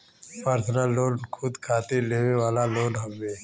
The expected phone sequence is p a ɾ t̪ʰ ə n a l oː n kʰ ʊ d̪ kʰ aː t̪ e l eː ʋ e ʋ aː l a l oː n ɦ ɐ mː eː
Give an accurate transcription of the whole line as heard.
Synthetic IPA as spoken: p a ɾ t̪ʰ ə n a l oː n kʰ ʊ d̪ kʰ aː t̪ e l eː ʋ e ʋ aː l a l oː n ɦ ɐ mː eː